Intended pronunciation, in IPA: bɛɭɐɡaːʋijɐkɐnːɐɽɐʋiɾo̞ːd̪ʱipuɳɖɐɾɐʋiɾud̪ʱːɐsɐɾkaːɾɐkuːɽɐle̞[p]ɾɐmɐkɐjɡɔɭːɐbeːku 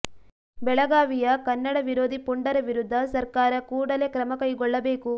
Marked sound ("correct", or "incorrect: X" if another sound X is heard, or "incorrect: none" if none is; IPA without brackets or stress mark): incorrect: k